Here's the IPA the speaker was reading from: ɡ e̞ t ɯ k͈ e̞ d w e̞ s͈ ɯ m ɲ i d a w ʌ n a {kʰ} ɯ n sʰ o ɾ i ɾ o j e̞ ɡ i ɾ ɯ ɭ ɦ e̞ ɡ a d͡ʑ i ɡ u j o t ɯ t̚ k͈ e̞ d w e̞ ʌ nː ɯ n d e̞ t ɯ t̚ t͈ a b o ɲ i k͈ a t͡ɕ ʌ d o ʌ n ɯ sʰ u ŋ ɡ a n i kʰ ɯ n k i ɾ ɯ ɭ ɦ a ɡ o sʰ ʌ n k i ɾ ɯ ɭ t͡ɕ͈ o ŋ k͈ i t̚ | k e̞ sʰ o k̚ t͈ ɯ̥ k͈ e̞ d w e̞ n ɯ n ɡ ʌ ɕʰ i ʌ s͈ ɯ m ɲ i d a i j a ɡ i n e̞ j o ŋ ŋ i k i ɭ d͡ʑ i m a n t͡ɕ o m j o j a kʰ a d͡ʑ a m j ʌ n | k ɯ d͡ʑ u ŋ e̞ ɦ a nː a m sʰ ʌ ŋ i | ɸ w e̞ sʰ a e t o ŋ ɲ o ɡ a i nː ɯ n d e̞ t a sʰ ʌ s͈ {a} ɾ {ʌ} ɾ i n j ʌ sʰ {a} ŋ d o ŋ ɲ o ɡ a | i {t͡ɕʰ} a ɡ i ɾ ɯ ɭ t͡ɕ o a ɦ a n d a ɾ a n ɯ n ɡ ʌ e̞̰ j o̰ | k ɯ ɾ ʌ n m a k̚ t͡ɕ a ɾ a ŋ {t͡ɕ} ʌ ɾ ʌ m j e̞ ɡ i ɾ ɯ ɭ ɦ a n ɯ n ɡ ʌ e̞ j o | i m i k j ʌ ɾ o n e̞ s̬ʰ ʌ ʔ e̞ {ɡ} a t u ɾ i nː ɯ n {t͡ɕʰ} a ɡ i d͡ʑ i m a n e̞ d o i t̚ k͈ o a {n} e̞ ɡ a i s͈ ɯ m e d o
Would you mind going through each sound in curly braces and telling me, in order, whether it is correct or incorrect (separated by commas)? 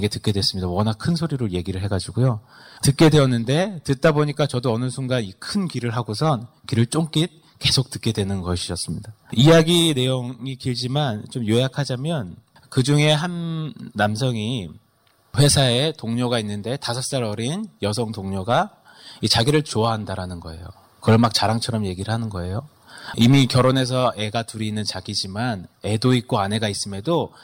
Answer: correct, correct, correct, incorrect, incorrect, incorrect, correct, incorrect, correct